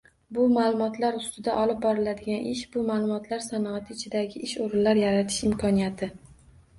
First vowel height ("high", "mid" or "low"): high